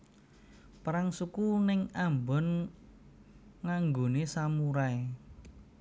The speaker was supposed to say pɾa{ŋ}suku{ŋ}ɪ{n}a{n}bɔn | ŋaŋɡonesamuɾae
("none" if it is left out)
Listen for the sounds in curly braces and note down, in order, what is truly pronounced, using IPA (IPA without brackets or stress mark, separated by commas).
ŋ, n, ŋ, m